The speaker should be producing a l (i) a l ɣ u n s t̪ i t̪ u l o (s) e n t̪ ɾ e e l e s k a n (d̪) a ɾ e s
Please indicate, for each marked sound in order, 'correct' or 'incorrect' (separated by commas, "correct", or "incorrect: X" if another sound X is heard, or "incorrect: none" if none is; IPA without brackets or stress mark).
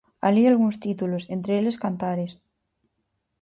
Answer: correct, correct, incorrect: t̪